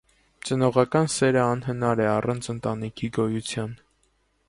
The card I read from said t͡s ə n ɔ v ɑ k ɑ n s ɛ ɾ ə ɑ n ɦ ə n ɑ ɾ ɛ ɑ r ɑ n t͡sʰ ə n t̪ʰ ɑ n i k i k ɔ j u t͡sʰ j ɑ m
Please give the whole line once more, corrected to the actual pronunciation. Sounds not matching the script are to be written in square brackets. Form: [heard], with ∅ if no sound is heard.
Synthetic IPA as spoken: t͡s ə n ɔ [ʁ] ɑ k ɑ n s ɛ ɾ ə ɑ n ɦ ə n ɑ ɾ ɛ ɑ r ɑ n t͡sʰ ə n [t̪] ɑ n i [kʰ] i [ɡ] ɔ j u t͡sʰ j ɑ [n]